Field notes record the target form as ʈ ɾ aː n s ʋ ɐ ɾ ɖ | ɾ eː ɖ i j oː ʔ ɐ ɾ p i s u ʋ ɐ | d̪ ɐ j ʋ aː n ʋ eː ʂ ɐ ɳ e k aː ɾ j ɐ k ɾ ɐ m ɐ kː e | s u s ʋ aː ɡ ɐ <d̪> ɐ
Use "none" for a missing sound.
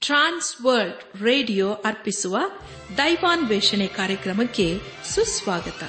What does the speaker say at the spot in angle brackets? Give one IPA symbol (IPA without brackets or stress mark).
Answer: t̪